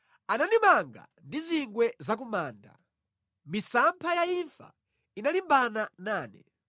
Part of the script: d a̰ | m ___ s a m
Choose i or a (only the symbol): i